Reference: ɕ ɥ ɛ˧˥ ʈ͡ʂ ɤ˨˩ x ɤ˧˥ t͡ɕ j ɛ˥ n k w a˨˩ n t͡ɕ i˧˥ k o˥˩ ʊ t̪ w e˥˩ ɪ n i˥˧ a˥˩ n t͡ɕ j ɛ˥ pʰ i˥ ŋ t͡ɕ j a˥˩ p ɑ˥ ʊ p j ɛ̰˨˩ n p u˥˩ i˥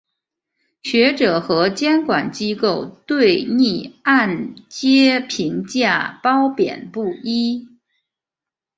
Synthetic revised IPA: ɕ ɥ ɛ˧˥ ʈ͡ʂ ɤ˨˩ x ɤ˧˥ t͡ɕ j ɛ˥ n k w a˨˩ n t͡ɕ i˥ k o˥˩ ʊ t̪ w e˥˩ ɪ n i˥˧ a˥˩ n t͡ɕ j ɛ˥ pʰ i˧˥ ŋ t͡ɕ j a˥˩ p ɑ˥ ʊ p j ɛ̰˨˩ n p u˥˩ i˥